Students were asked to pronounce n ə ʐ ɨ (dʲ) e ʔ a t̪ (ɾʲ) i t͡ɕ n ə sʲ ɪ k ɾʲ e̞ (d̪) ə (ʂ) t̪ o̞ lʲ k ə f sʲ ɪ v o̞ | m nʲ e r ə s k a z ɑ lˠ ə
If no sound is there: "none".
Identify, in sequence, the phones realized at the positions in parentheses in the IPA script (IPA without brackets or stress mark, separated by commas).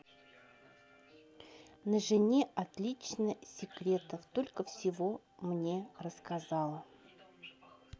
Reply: nʲ, lʲ, t̪, f